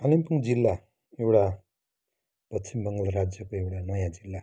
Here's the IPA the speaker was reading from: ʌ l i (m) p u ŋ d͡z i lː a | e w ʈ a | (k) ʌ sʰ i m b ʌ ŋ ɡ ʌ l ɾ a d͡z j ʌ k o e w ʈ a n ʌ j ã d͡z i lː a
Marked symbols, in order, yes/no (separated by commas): yes, no